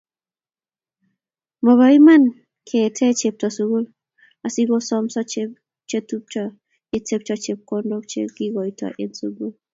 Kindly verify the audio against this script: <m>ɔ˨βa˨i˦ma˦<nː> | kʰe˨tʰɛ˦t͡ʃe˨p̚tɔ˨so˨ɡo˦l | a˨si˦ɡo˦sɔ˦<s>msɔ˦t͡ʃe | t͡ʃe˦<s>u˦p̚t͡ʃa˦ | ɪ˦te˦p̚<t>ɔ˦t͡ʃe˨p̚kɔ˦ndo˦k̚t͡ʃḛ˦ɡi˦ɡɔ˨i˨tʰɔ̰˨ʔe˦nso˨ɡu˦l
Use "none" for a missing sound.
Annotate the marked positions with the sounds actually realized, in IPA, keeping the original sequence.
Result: m, n, none, t, t͡ʃ

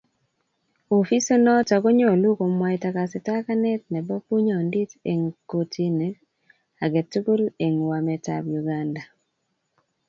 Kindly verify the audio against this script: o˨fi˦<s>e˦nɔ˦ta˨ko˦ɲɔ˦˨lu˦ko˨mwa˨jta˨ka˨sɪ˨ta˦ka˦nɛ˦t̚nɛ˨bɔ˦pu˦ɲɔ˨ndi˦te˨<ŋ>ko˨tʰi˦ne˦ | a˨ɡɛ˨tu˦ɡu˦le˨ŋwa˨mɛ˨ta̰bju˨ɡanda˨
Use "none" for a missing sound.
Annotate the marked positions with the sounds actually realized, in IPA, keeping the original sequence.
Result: s, ŋ

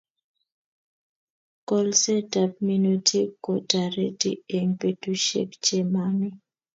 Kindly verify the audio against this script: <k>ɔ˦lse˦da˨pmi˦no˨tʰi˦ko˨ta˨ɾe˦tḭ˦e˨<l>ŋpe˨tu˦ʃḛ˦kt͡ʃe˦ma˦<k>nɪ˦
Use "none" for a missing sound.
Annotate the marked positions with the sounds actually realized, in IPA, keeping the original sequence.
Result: k, none, none

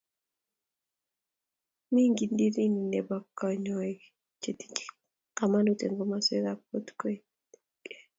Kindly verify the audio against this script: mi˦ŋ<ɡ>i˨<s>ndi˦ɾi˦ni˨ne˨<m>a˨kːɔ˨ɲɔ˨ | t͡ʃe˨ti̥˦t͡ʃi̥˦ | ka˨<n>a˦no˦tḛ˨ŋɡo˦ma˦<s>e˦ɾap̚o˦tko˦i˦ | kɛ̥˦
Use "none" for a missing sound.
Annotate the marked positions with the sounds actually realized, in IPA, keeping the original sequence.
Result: ɡ, none, b, m, s

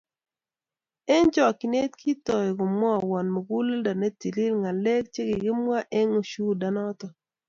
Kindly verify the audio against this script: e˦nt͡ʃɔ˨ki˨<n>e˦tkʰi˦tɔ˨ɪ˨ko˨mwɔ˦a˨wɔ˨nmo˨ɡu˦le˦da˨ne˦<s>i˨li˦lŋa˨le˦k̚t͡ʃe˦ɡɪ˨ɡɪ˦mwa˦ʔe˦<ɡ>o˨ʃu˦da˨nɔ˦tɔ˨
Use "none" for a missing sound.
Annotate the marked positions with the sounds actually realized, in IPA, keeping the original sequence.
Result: n, t, ŋ

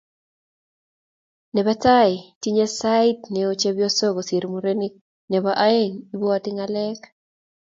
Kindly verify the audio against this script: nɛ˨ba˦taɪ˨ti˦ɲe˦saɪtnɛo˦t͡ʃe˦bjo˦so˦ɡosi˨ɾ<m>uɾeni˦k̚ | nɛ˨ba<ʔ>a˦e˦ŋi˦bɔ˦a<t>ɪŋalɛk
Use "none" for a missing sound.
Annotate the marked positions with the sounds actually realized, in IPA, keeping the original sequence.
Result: m, ʔ, t

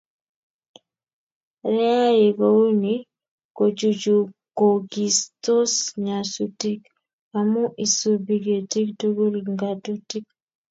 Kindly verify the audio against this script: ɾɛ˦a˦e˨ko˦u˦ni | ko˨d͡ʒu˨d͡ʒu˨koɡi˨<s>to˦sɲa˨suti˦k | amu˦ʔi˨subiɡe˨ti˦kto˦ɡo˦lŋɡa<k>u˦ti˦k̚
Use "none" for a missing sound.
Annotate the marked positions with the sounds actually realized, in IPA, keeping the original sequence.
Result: s, t

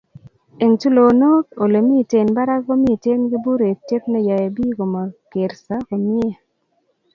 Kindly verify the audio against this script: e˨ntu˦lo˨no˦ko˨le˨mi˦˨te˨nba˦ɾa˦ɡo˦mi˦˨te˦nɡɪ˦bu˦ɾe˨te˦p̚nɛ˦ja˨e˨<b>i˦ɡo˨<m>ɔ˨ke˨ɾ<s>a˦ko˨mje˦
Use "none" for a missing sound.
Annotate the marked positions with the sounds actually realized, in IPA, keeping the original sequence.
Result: b, m, s

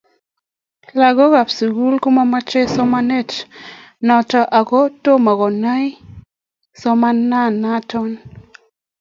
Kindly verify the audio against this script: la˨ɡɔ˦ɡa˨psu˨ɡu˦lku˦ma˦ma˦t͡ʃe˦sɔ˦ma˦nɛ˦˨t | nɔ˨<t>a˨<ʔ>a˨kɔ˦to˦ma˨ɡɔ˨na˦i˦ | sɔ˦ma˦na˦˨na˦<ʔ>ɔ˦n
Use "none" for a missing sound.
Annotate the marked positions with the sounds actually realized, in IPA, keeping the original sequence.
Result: t, ʔ, t

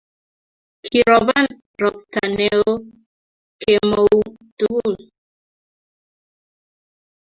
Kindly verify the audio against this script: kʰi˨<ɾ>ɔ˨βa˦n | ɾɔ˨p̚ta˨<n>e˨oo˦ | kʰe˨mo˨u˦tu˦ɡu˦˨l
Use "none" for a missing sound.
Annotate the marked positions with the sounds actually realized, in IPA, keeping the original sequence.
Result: ɾ, n

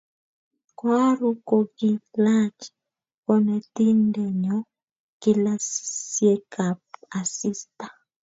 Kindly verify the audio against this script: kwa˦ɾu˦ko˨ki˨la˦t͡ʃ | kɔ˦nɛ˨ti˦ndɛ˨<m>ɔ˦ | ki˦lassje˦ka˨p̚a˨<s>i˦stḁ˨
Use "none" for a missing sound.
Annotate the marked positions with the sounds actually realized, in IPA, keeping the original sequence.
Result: ɲ, s

